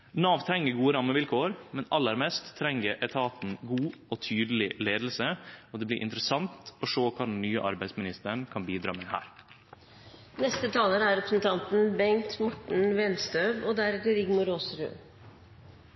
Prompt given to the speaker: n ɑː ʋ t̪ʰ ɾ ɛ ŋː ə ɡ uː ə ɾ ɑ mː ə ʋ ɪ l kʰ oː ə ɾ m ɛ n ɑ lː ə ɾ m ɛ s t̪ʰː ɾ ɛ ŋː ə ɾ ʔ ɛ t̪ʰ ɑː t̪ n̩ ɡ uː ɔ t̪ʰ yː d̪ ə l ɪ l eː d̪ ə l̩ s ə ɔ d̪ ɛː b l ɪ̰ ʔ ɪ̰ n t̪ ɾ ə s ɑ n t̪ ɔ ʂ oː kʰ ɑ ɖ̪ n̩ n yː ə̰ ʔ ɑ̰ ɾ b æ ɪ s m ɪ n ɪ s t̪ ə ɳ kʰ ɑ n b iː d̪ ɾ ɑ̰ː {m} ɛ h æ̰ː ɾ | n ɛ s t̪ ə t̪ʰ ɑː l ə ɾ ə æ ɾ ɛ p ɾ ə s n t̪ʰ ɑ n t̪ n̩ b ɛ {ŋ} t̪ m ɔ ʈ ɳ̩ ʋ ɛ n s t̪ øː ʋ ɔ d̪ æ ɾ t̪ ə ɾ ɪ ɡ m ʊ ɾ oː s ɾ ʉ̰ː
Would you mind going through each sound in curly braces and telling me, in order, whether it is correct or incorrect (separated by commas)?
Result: correct, correct